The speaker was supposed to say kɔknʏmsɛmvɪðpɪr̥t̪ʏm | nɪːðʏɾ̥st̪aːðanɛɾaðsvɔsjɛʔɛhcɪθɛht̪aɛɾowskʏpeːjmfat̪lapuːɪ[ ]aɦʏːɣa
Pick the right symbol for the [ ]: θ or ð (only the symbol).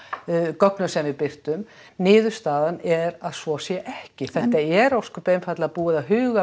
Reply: ð